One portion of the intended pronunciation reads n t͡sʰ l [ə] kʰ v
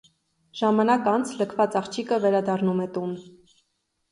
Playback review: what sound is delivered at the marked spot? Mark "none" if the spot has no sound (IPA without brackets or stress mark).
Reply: ə